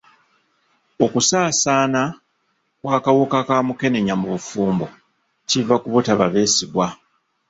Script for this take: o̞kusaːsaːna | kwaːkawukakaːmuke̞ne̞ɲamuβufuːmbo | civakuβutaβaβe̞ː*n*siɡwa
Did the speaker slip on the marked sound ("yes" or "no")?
yes